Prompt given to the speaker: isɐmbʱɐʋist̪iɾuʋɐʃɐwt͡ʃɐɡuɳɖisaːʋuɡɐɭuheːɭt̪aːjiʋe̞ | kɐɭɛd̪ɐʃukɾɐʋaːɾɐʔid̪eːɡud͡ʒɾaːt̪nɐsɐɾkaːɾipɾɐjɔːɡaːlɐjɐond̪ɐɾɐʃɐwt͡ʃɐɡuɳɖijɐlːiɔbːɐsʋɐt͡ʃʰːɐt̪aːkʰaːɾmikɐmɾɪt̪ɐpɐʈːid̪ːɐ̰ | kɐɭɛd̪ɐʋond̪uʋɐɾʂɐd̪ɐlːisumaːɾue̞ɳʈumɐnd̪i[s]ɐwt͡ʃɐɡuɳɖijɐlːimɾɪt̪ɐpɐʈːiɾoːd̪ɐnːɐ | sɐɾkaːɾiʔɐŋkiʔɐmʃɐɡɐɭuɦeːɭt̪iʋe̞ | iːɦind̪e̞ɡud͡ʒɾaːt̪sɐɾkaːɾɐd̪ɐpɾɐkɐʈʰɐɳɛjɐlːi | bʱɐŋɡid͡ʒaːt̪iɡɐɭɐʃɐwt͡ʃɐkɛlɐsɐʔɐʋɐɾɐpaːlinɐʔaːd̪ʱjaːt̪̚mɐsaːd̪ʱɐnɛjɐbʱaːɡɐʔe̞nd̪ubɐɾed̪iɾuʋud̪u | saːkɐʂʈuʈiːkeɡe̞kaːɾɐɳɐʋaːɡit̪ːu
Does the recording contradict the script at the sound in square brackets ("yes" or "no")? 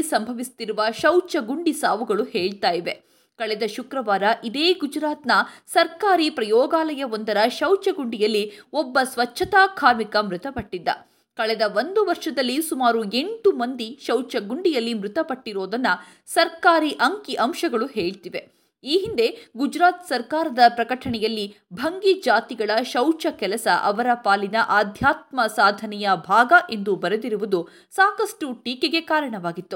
yes